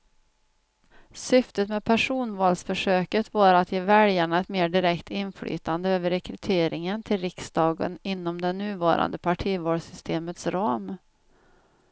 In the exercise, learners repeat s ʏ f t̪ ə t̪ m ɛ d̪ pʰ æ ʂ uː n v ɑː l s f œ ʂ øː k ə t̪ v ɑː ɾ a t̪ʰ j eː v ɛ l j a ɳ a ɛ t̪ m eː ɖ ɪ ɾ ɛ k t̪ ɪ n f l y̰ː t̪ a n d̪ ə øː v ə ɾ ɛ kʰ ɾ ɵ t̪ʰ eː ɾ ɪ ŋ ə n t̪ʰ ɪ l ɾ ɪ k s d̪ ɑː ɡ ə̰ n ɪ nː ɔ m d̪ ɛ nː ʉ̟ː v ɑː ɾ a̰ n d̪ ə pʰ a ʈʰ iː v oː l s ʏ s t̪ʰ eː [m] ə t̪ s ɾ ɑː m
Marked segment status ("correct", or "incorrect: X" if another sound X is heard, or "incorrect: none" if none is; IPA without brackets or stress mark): correct